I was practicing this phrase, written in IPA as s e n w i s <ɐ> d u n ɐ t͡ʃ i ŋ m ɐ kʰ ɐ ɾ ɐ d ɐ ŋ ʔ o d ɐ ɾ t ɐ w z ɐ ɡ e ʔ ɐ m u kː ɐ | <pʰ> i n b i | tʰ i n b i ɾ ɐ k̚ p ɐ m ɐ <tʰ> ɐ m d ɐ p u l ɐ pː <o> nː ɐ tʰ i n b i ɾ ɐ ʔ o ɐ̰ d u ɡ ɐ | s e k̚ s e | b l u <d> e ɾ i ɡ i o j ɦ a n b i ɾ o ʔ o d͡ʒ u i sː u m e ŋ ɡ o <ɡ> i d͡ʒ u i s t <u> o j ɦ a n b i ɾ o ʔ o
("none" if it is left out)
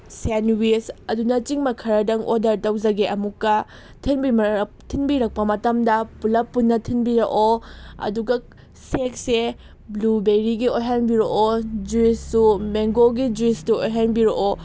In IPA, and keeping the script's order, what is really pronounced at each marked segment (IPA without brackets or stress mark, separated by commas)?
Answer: ɐ, tʰ, t, u, b, ɡ, u